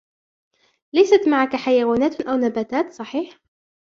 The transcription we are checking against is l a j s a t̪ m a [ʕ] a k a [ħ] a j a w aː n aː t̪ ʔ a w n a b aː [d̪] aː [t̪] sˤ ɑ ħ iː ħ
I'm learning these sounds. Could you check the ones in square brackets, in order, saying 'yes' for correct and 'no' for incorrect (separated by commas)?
yes, yes, no, yes